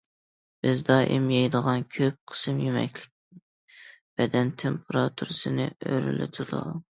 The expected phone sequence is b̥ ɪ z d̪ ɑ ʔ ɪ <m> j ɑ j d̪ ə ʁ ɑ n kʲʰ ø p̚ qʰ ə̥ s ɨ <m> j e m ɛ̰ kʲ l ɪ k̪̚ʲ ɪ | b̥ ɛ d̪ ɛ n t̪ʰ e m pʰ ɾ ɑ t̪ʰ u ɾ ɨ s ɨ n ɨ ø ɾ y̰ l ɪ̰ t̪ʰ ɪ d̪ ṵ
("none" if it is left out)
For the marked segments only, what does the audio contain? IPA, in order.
m, m

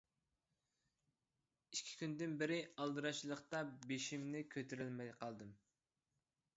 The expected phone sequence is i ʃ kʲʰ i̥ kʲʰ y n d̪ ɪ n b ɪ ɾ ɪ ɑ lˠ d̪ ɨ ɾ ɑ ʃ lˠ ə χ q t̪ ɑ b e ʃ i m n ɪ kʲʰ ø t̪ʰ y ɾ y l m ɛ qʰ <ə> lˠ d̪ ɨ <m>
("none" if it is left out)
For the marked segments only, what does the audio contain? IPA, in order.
ɑ, m

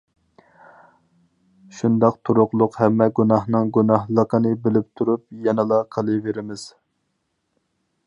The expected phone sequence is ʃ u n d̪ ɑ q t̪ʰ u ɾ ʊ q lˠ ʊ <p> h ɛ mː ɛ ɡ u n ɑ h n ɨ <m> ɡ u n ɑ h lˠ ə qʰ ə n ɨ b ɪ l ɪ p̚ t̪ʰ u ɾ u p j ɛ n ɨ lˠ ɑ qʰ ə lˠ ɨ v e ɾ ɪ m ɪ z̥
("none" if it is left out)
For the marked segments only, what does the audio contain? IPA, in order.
q, ŋ

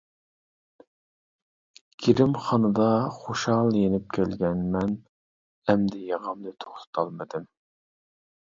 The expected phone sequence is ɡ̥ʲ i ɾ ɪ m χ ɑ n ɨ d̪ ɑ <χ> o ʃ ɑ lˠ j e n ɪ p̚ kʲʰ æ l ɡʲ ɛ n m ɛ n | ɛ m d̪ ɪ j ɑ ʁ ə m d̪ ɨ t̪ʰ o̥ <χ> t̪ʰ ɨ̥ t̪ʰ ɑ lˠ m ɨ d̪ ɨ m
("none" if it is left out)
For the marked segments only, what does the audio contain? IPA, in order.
χ, χ

